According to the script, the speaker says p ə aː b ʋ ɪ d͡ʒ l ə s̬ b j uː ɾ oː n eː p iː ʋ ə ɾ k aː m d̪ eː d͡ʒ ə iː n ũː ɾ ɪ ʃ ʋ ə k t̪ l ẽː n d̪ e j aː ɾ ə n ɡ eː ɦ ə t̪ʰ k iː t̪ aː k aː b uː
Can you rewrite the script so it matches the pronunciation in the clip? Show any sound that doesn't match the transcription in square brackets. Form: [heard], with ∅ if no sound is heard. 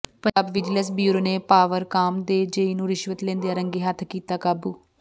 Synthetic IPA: p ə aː b ʋ ɪ d͡ʒ l ə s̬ b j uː ɾ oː n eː p [aː] ʋ ə ɾ k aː m d̪ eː d͡ʒ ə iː n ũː ɾ ɪ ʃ ʋ ə [∅] t̪ l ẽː n d̪ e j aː ɾ ə [ŋ] ɡ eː ɦ ə t̪ʰ k iː t̪ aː k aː b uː